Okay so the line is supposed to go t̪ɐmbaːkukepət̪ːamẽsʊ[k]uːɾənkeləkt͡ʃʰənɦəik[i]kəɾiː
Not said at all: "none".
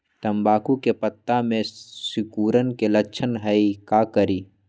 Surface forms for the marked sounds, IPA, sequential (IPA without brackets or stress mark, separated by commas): k, a